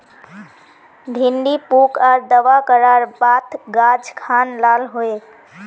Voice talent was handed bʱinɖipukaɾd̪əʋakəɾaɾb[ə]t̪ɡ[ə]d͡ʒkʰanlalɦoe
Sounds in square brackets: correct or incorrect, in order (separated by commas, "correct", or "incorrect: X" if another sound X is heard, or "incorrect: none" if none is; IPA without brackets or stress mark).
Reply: incorrect: a, incorrect: a